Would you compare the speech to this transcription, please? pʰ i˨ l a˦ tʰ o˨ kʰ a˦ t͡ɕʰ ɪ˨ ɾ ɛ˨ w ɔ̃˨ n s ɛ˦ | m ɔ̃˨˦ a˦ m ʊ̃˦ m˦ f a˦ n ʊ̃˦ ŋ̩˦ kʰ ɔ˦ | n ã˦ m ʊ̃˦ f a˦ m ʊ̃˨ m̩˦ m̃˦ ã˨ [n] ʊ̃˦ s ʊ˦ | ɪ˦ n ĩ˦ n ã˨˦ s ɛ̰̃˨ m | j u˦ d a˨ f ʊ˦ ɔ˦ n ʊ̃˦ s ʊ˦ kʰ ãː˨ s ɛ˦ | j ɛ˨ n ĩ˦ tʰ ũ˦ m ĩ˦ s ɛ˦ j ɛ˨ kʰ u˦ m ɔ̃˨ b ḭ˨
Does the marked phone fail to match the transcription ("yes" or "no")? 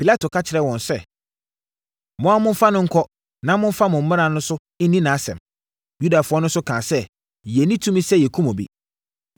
no